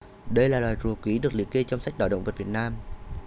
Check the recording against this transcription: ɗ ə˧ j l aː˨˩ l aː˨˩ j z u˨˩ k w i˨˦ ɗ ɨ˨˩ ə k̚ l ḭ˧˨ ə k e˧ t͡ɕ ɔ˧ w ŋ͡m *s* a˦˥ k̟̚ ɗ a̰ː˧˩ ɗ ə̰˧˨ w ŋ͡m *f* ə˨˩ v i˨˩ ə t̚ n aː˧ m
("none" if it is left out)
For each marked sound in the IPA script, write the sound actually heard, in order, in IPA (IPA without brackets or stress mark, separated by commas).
s, v